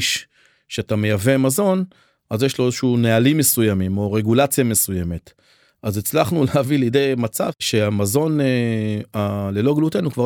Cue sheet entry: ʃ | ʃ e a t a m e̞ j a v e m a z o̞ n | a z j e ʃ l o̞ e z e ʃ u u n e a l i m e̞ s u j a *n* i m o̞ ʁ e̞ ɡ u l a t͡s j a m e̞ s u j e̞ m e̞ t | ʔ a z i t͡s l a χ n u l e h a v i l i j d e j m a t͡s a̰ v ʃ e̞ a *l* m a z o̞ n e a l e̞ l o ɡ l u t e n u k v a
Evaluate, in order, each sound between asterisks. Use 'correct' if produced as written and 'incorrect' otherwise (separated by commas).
incorrect, incorrect